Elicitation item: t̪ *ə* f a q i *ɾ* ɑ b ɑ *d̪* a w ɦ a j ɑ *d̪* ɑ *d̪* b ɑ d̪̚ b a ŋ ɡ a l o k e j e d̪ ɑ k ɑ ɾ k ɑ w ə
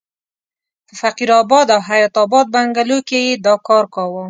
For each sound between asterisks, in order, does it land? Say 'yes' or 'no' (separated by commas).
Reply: yes, yes, yes, no, no